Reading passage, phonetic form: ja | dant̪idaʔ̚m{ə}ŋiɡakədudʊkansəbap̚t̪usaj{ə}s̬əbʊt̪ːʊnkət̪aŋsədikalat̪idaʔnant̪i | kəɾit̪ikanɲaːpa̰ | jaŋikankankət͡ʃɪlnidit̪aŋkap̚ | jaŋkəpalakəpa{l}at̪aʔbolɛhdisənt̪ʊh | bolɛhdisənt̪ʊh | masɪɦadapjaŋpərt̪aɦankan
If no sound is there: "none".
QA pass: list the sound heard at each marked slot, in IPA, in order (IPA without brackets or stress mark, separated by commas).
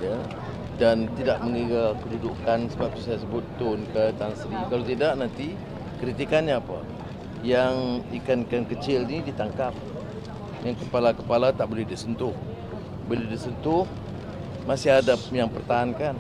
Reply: ə, a, l